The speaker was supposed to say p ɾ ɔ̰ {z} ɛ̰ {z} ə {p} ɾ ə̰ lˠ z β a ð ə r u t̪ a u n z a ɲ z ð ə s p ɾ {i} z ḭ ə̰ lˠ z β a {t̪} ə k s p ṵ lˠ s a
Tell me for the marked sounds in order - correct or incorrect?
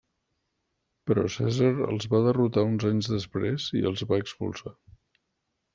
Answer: incorrect: s, correct, incorrect: none, incorrect: e, incorrect: none

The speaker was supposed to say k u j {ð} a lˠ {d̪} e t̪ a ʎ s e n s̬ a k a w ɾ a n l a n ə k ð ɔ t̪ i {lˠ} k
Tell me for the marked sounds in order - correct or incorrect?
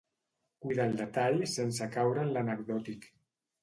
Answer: correct, correct, incorrect: none

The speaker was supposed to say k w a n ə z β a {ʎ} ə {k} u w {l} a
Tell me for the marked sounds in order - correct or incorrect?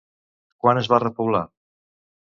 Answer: incorrect: r, incorrect: p, correct

